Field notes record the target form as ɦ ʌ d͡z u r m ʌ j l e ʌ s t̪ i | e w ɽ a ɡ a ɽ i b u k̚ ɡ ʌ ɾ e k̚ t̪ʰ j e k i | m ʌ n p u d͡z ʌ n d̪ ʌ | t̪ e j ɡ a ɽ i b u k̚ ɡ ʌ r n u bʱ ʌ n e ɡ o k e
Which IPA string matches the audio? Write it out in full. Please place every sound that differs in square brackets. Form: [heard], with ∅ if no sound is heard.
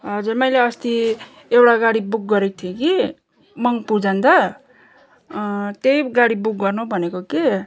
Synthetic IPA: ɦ ʌ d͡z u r m ʌ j l e ʌ s t̪ i | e w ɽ a ɡ a ɽ i b u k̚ ɡ ʌ ɾ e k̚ t̪ʰ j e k i | m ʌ [ŋ] p u d͡z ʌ n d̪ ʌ | t̪ e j ɡ a ɽ i b u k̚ ɡ ʌ r n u bʱ ʌ n e [k] o k e